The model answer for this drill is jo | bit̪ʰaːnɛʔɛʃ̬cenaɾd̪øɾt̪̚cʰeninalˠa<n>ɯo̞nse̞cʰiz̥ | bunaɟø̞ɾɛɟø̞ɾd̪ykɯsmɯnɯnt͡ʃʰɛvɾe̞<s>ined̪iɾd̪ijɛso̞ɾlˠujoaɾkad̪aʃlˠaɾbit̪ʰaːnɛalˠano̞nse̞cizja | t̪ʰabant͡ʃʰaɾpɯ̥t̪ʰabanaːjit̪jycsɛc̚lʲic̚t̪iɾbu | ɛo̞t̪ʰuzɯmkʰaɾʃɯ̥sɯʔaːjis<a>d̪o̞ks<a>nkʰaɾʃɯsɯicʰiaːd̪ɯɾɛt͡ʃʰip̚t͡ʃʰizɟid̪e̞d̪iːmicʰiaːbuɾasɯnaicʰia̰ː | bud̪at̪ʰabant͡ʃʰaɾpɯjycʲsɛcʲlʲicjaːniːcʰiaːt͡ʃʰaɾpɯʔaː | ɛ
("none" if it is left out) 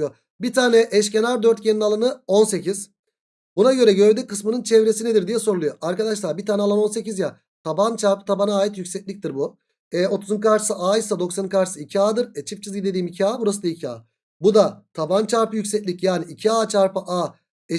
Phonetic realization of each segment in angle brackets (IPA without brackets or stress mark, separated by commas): n, s, a, a